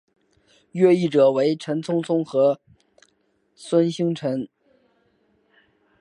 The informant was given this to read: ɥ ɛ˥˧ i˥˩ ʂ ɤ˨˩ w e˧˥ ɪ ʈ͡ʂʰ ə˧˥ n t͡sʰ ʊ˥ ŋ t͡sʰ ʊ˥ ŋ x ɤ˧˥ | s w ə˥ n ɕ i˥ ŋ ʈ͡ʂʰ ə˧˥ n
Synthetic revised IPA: ɥ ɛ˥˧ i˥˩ ʈ͡ʂ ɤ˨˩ w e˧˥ ɪ ʈ͡ʂʰ ə˧˥ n t͡sʰ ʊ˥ ŋ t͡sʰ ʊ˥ ŋ x ɤ˧˥ | s w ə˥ n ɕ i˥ ŋ ʈ͡ʂʰ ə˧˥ n